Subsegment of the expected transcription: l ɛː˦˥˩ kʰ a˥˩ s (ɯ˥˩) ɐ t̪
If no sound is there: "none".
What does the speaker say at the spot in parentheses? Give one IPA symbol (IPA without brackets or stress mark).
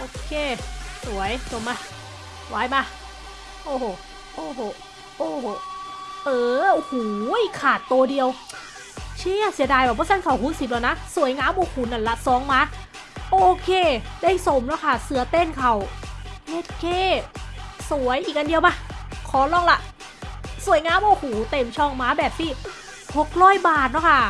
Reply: ɯ˨˩˦